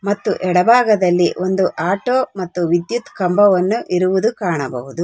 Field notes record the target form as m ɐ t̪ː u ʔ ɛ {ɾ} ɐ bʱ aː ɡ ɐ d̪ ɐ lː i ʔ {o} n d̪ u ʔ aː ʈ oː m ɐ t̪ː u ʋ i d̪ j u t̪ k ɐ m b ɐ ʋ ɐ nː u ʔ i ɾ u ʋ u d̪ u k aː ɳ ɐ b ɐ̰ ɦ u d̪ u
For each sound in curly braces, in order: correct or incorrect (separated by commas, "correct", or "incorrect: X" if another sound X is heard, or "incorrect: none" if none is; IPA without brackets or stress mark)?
incorrect: ɽ, correct